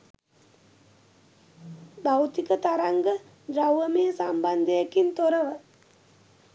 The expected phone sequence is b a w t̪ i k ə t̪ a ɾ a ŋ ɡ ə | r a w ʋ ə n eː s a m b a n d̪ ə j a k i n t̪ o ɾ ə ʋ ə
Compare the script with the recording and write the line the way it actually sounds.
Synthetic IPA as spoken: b a w t̪ i k ə t̪ a ɾ a ŋ ɡ ə | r a w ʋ ə m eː s a m b a n d̪ ə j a k i n t̪ o ɾ ə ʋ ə